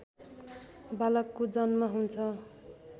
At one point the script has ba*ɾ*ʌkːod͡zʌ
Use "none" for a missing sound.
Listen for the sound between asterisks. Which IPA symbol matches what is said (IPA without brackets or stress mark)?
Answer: l